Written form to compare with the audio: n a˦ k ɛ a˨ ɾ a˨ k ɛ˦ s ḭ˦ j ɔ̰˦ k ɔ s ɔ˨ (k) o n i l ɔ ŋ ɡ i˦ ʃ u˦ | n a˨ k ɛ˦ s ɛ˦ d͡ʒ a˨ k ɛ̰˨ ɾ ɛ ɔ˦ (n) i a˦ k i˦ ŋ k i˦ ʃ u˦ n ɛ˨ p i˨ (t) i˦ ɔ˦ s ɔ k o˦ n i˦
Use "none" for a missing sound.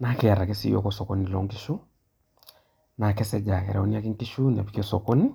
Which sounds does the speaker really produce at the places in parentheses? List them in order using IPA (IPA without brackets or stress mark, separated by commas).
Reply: k, n, k